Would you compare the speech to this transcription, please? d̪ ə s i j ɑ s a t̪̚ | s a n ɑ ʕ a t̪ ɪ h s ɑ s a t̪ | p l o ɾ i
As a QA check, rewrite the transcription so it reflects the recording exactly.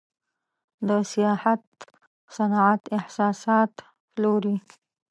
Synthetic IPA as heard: d̪ ə s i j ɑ h a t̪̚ | s a n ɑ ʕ a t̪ ɪ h s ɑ s ɑ t̪ | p l o ɾ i